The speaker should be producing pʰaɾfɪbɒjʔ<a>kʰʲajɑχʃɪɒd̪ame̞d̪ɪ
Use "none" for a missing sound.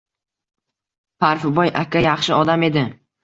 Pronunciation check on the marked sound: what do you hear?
a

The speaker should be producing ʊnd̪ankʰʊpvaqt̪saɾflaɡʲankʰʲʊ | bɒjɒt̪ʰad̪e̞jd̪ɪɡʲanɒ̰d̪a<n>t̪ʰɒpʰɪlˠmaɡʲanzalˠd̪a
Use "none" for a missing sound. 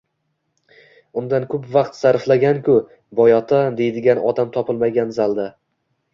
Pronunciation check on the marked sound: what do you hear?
m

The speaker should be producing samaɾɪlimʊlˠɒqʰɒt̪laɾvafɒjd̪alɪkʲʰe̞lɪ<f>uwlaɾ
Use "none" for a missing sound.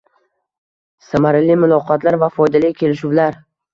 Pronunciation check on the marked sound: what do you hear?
ʃ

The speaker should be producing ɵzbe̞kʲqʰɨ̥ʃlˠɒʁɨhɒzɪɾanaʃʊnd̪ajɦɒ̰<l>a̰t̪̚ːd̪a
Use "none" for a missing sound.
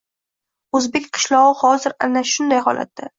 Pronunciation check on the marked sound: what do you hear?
l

